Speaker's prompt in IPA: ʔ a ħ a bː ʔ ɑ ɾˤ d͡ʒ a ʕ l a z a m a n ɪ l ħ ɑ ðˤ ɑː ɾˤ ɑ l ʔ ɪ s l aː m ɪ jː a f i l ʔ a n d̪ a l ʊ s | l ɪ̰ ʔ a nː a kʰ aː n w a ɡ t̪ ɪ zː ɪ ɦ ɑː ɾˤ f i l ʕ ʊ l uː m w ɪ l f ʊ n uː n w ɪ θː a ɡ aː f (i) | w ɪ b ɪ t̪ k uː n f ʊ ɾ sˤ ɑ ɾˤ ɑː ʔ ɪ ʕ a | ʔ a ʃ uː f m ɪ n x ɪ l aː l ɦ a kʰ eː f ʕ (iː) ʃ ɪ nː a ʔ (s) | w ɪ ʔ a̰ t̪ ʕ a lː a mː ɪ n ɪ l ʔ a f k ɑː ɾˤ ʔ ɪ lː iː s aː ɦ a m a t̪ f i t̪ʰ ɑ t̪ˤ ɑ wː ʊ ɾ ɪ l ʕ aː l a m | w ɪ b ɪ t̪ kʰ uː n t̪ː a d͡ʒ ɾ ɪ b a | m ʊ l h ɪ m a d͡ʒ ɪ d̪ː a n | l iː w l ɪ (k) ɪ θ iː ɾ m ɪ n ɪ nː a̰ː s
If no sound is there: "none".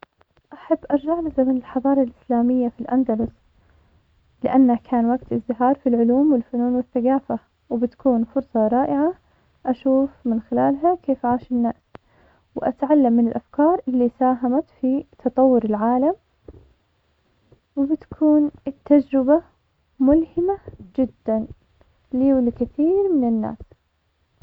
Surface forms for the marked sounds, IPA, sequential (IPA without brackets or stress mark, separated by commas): a, aː, s, k